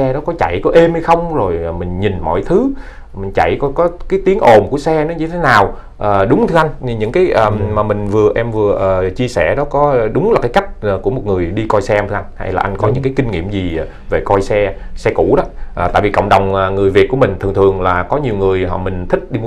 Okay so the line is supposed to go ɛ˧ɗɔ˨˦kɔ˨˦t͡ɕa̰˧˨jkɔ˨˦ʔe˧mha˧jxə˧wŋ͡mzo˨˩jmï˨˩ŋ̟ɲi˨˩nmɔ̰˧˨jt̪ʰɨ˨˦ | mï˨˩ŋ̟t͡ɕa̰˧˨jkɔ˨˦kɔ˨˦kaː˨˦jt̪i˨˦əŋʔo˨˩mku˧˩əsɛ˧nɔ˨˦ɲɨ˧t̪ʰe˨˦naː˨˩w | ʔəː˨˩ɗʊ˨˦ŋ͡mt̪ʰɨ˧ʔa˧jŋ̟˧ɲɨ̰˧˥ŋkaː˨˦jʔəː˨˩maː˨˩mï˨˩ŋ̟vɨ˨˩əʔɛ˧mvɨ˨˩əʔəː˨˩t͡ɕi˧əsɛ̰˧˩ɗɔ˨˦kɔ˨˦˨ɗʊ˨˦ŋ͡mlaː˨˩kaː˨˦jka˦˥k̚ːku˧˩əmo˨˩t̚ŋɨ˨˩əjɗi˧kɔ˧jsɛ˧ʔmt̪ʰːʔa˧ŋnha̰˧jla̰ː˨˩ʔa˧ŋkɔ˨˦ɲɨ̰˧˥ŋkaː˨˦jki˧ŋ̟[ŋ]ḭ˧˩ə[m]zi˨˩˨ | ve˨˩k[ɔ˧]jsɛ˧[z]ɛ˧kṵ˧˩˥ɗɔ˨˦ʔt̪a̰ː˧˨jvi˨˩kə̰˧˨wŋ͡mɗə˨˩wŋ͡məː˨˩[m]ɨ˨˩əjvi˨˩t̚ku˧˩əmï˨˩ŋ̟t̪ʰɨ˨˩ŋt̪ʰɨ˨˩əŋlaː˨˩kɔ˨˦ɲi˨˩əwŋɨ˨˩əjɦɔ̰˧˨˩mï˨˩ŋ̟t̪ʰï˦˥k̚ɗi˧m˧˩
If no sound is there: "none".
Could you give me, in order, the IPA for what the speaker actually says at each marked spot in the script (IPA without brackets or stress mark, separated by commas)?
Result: ŋ, m, ɔ˧, s, ŋ